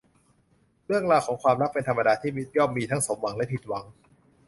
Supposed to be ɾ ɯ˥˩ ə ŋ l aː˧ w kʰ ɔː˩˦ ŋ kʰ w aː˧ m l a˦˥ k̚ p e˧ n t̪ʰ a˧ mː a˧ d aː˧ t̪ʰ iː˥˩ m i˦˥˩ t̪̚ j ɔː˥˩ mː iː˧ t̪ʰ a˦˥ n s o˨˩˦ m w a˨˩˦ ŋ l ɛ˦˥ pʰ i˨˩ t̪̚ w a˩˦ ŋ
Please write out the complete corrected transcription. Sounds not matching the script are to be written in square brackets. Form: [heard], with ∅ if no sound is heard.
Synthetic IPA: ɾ ɯ˥˩ ə ŋ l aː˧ w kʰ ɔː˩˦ ŋ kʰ w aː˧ m [ɾ] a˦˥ k̚ p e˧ n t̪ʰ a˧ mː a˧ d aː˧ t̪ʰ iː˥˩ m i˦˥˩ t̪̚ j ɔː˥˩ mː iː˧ t̪ʰ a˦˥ [ŋ] s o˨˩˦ m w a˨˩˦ ŋ l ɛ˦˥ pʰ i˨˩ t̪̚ w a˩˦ ŋ